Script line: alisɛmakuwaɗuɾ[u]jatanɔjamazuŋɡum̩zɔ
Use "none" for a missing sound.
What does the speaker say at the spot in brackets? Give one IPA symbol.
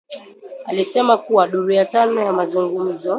u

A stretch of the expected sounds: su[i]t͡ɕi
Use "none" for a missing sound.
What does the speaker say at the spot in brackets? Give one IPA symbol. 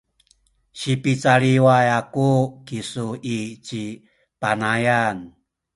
i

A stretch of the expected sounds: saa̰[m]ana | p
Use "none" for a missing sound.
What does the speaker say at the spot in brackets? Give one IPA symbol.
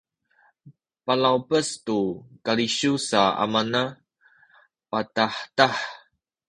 m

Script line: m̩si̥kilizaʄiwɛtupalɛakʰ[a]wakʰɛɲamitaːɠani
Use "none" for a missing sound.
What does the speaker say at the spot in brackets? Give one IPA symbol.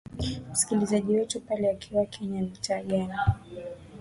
i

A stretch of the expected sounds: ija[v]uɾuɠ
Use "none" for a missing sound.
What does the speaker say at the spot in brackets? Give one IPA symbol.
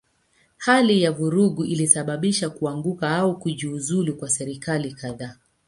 v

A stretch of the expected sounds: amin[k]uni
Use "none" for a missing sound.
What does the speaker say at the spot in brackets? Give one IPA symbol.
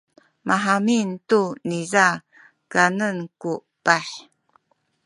t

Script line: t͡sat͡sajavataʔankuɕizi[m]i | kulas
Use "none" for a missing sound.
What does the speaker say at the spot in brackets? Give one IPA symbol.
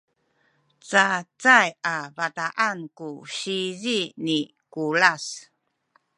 n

